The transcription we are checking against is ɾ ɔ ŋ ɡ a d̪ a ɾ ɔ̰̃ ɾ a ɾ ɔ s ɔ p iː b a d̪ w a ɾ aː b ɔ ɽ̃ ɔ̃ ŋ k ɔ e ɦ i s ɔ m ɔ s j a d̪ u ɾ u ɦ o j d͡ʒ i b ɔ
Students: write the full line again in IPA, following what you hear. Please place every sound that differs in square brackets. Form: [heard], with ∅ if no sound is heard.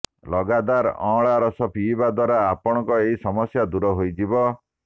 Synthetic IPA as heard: [l] ɔ [∅] ɡ a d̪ a ɾ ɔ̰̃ [ɭ] a ɾ ɔ s ɔ p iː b a d̪ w a ɾ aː [p] ɔ ɽ̃ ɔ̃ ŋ k ɔ e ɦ i s ɔ m ɔ s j a d̪ u ɾ [ɔ] ɦ o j d͡ʒ i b ɔ